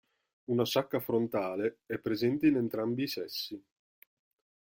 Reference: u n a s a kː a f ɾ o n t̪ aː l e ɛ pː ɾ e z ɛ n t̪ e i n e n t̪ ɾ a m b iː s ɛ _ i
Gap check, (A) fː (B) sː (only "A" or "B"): B